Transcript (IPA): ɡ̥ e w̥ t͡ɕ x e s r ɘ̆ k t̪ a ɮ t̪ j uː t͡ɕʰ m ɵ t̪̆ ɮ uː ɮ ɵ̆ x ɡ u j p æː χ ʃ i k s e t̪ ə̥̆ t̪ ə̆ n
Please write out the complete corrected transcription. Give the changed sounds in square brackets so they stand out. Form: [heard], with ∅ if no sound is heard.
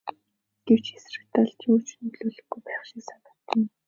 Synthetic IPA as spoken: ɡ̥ e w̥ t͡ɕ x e s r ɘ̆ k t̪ a ɮ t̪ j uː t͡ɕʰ [n] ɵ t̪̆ ɮ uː ɮ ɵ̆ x ɡ u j p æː χ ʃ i k s [a] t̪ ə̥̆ t̪ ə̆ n